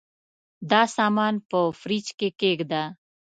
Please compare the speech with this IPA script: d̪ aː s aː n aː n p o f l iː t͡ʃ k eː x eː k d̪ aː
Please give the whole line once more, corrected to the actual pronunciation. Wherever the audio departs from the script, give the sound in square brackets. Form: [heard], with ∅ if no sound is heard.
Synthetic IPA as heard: d̪ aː s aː [m] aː n p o f [ɾ] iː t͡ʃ k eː [k] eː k d̪ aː